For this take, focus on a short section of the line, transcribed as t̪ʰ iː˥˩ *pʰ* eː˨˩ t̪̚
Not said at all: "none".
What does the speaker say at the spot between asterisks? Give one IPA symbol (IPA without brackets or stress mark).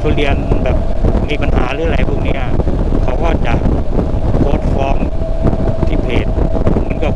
pʰ